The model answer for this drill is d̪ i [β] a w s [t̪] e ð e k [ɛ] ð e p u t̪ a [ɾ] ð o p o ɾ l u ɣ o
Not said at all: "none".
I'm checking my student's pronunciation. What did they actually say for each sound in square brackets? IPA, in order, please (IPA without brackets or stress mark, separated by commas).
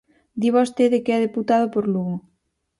β, t̪, ɛ, none